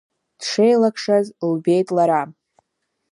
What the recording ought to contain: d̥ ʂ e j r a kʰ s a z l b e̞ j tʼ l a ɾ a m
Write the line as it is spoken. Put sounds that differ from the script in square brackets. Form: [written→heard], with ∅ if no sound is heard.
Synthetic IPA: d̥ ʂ e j [r→l] a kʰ [s→ʂ] a z l b e̞ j tʼ l a ɾ a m

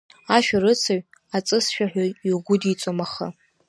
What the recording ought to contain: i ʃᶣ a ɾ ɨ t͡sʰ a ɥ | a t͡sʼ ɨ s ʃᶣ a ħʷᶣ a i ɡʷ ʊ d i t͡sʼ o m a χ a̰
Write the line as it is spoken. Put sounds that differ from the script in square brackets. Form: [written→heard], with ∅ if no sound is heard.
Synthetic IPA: [i→a] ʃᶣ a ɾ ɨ t͡sʰ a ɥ | a t͡sʼ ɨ s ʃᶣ a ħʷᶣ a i ɡʷ ʊ d i t͡sʼ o m a χ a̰

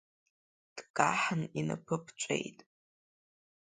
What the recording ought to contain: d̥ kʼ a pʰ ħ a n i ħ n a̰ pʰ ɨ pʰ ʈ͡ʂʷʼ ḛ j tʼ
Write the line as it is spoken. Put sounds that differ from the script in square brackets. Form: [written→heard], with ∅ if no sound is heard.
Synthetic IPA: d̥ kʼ a [pʰ→∅] ħ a n i [ħ→∅] n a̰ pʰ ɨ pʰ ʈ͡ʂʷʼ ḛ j tʼ

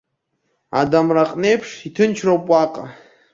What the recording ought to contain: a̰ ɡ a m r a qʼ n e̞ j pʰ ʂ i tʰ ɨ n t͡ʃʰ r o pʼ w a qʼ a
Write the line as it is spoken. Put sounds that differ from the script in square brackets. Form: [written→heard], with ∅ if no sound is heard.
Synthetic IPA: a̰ [ɡ→d] a m r a qʼ n e̞ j pʰ ʂ i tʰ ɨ n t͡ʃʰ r o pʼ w a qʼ a

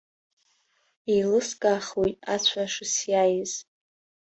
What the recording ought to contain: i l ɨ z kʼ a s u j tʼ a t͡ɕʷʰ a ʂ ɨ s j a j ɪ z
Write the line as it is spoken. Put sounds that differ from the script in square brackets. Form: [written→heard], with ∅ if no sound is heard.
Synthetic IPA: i l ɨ [z→s] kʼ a [s→χ] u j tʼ a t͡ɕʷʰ a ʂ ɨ s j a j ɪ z

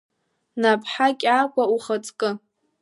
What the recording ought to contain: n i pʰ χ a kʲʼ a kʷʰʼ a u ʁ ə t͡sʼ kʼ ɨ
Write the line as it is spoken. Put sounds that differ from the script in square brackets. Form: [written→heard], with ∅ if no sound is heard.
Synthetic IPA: n [i→a] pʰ [χ→ħ] a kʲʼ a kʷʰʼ a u [ʁ→χ] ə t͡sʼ kʼ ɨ

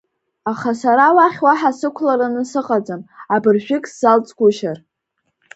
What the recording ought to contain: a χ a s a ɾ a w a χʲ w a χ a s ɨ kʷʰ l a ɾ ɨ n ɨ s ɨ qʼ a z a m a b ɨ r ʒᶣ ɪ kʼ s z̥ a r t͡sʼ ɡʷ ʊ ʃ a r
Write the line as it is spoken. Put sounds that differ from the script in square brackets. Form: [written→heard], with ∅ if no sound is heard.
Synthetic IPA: a χ a s a ɾ a w a χʲ w a [χ→ħ] a s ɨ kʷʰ l a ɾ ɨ n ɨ s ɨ qʼ a [z→d͡z] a m a b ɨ r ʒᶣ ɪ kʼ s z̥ a [r→l] t͡sʼ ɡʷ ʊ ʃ a r

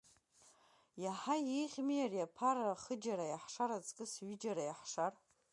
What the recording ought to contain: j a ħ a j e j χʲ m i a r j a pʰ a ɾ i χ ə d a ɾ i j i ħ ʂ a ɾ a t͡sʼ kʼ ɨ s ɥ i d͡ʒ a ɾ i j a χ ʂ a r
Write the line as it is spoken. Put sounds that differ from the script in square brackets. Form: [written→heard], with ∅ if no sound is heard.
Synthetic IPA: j a ħ a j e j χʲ m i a r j a pʰ a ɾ [i→a] χ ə [d→d͡ʒ] a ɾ [i→a] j [i→a] ħ ʂ a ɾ a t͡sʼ kʼ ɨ s ɥ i d͡ʒ a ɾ [i→a] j a [χ→ħ] ʂ a r

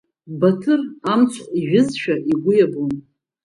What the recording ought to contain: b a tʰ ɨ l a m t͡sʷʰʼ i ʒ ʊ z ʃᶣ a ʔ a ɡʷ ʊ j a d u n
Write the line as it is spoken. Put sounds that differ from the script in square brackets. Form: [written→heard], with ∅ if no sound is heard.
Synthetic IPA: b a tʰ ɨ [l→r] a m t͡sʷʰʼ i ʒ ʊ z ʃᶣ a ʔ [a→i] ɡʷ ʊ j a [d→b] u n

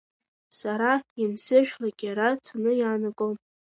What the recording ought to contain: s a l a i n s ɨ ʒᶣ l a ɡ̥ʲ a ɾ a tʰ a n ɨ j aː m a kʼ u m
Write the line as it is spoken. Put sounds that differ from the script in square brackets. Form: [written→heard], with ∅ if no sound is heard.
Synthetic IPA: s a [l→ɾ] a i n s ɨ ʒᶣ l a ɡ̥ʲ a ɾ a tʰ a n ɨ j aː [m→n] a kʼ [u→o] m

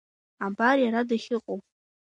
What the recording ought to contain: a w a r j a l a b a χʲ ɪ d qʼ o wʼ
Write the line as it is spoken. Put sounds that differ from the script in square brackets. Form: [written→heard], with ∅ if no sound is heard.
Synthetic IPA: a [w→b] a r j a [l→ɾ] a [b→d] a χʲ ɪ [d→∅] qʼ o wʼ

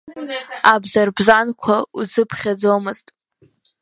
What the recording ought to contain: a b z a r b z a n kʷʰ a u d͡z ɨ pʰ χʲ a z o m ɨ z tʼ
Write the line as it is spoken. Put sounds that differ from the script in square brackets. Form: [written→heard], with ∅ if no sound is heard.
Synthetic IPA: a b z a r b z a n kʷʰ a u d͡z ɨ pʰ χʲ a [z→d͡z] o m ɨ z tʼ

